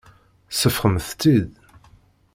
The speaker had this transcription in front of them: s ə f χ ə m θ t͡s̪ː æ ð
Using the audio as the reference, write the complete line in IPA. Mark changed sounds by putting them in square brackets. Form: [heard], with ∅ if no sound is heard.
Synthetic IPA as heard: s ə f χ ə m θ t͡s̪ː [i] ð